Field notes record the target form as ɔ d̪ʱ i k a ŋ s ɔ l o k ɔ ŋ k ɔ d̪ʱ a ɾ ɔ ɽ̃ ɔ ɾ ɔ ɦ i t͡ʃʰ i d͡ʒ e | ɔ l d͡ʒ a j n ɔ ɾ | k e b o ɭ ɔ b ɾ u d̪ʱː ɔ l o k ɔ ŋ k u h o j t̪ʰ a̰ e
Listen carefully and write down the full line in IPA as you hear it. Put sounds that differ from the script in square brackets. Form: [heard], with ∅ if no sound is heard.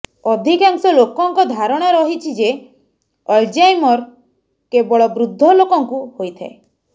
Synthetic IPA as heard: ɔ d̪ʱ i k a ŋ s ɔ l o k ɔ ŋ k ɔ d̪ʱ a ɾ ɔ ɽ̃ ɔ ɾ ɔ ɦ i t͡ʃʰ i d͡ʒ e | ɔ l d͡ʒ a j [m] ɔ ɾ | k e b [ɔ] ɭ ɔ b ɾ u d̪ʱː ɔ l o k ɔ ŋ k u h o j t̪ʰ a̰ e

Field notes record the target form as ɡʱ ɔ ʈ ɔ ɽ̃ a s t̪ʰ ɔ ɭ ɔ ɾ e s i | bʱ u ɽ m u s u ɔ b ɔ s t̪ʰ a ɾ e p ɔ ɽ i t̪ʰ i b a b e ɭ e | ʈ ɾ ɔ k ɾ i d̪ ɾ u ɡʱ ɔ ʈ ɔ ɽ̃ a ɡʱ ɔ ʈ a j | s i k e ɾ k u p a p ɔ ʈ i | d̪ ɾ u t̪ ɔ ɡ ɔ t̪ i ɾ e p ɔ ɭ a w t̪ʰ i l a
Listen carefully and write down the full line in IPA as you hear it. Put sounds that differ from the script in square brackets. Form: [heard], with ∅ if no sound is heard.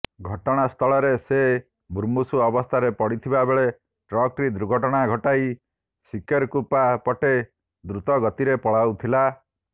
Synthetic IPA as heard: ɡʱ ɔ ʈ ɔ ɽ̃ a s t̪ʰ ɔ ɭ ɔ ɾ e s [e] | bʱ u [ɾ] m u s u ɔ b ɔ s t̪ʰ a ɾ e p ɔ ɽ i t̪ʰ i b a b e ɭ e | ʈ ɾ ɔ k ɾ i d̪ ɾ u ɡʱ ɔ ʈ ɔ ɽ̃ a ɡʱ ɔ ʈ a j | s i k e ɾ k u p a p ɔ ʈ [e] | d̪ ɾ u t̪ ɔ ɡ ɔ t̪ i ɾ e p ɔ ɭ a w t̪ʰ i l a

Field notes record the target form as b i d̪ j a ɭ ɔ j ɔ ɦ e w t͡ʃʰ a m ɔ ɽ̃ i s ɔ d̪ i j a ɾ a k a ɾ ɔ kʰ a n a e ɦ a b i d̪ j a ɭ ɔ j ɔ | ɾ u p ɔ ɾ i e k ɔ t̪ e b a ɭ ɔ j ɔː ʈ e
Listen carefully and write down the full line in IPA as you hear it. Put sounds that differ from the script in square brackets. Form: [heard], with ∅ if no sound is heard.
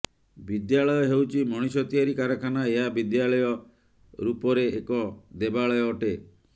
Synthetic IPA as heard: b i d̪ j a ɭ ɔ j ɔ ɦ e w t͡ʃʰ [i] m ɔ ɽ̃ i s ɔ [t̪] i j a ɾ [i] k a ɾ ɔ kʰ a n a e ɦ a b i d̪ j a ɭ ɔ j ɔ | ɾ u p ɔ ɾ [e] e k ɔ [d̪] e b a ɭ ɔ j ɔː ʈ e

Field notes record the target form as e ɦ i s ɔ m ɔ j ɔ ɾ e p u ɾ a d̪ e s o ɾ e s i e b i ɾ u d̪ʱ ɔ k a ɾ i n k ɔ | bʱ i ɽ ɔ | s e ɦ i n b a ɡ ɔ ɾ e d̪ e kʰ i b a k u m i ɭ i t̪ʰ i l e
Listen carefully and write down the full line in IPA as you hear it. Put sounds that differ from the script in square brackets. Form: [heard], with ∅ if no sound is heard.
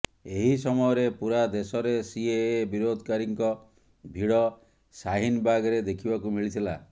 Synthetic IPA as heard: e ɦ i s ɔ m ɔ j ɔ ɾ e p u ɾ a d̪ e s [ɔ] ɾ e s i e b i ɾ [o] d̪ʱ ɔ k a ɾ i [ŋ] k ɔ | bʱ i ɽ ɔ | s [a] ɦ i n b a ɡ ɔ ɾ e d̪ e kʰ i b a k u m i ɭ i t̪ʰ i l [a]

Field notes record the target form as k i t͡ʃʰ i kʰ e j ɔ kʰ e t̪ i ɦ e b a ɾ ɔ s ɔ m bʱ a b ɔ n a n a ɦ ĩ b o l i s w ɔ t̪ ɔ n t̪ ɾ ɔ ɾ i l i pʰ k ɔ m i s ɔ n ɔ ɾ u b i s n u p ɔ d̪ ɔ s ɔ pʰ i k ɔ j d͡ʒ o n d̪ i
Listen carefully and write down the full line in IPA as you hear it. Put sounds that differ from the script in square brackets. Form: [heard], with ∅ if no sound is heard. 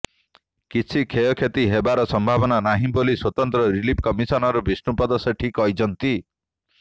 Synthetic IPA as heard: k i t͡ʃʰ i kʰ e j ɔ kʰ e t̪ i ɦ e b a ɾ ɔ s ɔ m bʱ a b ɔ n a n a ɦ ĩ b o l i s w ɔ t̪ ɔ n t̪ ɾ ɔ ɾ i l i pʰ k ɔ m i s ɔ n ɔ ɾ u b i s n u p ɔ d̪ ɔ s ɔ [ʈʰ] i k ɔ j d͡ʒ [ɔ] n [t̪] i

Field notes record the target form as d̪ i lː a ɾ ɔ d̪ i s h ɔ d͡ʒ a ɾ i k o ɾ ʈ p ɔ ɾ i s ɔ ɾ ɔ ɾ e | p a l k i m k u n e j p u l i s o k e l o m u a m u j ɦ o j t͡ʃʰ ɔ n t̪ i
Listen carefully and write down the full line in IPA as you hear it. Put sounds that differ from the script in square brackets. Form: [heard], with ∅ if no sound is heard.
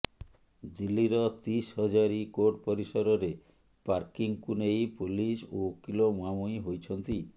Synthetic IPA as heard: d̪ i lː [i] ɾ ɔ [t̪] i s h ɔ d͡ʒ a ɾ i k o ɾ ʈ p ɔ ɾ i s ɔ ɾ ɔ ɾ e | p a [ɾ] k i [ŋ] k u n e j p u l i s o k [i] l o m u a m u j ɦ o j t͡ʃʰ ɔ n t̪ i

